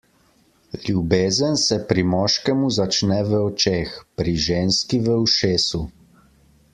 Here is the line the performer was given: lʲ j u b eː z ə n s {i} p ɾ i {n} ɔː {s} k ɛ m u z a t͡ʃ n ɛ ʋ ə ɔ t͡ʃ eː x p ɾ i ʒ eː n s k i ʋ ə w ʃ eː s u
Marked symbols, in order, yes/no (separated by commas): no, no, no